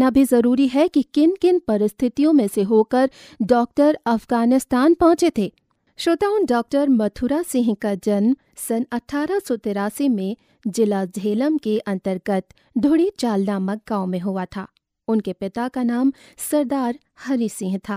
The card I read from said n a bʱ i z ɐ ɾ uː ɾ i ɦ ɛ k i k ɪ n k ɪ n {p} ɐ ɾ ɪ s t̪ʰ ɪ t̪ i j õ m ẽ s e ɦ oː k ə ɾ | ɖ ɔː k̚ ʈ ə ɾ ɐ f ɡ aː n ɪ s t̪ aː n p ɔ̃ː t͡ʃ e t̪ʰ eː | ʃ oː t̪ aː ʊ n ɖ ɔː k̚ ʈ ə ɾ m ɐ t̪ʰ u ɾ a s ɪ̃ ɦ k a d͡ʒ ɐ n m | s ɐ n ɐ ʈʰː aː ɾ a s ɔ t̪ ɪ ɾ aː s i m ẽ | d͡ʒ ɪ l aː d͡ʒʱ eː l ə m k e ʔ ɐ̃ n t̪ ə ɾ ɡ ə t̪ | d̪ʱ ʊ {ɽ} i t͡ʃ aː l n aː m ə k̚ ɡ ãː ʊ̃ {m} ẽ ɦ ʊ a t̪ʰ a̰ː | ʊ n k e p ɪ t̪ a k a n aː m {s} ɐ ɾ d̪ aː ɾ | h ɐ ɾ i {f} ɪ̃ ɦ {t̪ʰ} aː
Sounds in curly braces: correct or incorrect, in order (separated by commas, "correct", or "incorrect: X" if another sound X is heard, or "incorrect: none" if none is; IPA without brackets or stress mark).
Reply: correct, correct, correct, correct, incorrect: s, correct